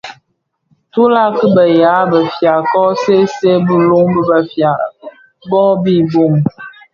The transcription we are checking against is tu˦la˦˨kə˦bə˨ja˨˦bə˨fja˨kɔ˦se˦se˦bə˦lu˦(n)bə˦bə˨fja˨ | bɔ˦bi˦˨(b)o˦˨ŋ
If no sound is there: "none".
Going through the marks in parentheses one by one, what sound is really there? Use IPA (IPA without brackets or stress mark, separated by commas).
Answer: ŋ, b